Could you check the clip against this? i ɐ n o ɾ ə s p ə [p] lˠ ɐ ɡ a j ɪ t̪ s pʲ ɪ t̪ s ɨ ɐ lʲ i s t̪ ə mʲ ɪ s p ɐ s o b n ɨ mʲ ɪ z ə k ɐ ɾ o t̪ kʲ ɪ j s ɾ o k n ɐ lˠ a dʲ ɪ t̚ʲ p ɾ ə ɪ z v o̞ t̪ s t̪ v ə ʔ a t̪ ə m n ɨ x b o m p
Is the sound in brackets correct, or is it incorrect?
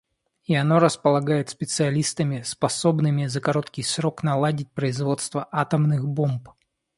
incorrect